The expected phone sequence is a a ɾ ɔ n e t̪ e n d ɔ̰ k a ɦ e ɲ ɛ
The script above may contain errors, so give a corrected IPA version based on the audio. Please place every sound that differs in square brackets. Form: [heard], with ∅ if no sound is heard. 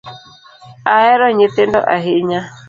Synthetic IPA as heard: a [ɛ] ɾ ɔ [ɲ] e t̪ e n d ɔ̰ [ʔ] a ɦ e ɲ [a]